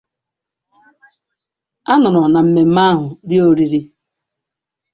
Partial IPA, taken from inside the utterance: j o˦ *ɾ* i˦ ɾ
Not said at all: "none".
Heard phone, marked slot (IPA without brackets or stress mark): ɾ